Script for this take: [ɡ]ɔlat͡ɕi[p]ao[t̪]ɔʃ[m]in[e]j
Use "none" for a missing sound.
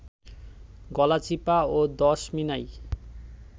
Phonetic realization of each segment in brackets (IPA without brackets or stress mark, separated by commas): ɡ, p, d̪, m, a